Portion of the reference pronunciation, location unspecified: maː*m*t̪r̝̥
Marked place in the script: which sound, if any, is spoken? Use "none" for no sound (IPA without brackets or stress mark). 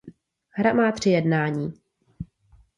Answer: none